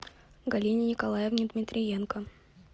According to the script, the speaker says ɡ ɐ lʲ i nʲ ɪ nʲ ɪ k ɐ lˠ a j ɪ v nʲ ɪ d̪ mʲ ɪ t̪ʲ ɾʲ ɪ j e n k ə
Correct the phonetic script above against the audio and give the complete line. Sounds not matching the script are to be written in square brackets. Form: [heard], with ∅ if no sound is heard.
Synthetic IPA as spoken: ɡ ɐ lʲ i nʲ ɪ nʲ ɪ k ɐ lˠ a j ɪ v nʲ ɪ d̪ mʲ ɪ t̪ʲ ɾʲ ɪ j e n k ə